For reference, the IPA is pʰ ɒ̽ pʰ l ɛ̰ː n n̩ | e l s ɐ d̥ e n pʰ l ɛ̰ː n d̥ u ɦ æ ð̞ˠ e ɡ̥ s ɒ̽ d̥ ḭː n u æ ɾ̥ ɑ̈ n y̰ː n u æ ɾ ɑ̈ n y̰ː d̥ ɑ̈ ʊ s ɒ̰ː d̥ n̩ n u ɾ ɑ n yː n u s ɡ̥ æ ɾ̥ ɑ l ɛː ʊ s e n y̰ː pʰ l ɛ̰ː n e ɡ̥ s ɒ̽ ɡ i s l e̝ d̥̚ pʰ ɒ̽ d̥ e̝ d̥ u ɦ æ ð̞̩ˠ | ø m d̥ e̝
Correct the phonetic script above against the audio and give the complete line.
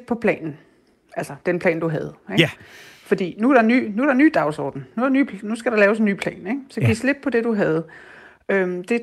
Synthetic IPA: pʰ ɒ̽ pʰ l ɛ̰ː n n̩ | æ l s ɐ d̥ e n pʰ l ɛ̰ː n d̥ u ɦ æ ð̞ˠ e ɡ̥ f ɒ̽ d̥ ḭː n u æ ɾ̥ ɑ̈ n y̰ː n u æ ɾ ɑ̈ n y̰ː d̥ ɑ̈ ʊ s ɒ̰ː d̥ n̩ n u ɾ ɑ n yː n u s ɡ̥ æ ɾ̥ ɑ l ɛː ʊ s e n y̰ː pʰ l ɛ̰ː n e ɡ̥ s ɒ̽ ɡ i s l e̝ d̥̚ pʰ ɒ̽ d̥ e̝ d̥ u ɦ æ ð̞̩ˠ | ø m d̥ e̝